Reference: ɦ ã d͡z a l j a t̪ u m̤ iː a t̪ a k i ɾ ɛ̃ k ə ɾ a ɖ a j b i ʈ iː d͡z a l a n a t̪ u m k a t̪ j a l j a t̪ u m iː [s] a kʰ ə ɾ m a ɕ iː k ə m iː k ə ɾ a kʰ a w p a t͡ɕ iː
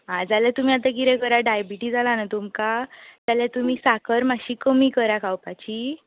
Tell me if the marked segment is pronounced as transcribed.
yes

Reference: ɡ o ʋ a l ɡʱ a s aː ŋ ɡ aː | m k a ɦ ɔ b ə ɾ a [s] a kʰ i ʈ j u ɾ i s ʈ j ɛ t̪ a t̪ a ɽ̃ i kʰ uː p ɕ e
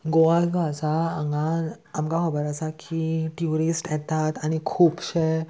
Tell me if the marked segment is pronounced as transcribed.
yes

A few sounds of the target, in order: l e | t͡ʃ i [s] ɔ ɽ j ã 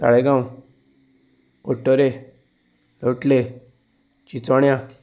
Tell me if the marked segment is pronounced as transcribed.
no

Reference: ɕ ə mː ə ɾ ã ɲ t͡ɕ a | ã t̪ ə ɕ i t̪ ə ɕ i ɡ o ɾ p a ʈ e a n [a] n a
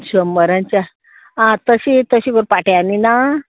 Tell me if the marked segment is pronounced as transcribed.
no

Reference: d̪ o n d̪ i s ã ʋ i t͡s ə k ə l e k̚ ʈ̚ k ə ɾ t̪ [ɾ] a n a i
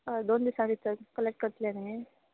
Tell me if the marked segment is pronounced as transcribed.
no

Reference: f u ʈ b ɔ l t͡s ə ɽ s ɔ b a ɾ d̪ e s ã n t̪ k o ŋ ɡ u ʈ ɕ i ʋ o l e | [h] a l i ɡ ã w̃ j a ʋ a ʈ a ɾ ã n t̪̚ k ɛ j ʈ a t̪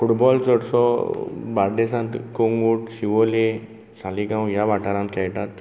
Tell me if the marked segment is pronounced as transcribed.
no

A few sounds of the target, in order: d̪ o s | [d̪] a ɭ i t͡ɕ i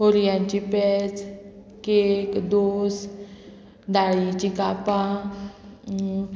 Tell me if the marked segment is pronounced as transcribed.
yes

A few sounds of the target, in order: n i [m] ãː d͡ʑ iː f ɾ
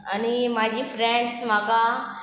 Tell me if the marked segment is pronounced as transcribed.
yes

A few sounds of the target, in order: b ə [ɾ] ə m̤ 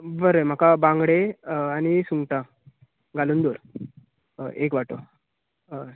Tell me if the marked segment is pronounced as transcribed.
yes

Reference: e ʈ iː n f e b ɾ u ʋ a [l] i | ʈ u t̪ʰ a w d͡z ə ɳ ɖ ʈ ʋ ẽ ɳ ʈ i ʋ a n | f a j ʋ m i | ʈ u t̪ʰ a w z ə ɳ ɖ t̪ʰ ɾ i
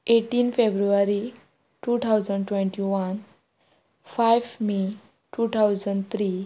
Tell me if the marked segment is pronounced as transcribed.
no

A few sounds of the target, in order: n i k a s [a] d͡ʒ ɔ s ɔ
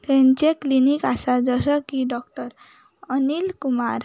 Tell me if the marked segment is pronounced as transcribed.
yes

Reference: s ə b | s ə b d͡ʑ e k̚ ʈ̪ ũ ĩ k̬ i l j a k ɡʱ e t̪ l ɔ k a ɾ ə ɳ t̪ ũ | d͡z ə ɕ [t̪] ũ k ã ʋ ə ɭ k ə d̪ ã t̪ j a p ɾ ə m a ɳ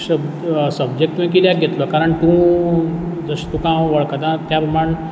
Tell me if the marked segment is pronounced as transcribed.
yes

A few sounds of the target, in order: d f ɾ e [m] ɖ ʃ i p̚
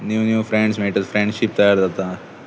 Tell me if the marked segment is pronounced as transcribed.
no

